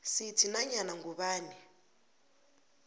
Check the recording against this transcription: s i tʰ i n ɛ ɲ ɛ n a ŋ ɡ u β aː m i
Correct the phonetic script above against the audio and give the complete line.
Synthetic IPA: s i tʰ i n a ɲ a n a ŋ ɡ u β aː n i